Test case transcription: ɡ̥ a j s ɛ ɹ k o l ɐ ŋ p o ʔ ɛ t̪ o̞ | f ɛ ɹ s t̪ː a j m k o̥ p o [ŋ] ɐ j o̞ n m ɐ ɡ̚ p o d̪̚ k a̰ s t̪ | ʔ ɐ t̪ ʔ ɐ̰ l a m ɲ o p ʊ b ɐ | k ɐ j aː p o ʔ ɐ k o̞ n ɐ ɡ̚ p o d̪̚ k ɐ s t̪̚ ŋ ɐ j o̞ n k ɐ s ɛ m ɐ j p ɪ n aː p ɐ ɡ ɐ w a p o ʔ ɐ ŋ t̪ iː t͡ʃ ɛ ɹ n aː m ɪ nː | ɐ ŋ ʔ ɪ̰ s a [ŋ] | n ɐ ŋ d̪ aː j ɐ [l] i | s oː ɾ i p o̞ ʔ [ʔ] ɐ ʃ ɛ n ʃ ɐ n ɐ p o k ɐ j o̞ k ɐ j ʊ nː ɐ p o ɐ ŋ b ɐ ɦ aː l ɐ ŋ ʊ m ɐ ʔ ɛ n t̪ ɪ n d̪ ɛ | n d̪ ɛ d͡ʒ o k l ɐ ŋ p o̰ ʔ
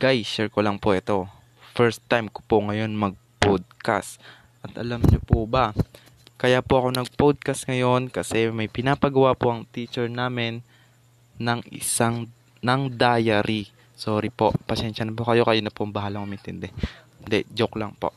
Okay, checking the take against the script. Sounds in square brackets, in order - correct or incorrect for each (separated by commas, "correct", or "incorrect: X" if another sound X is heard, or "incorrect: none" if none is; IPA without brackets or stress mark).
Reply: correct, correct, incorrect: ɾ, incorrect: p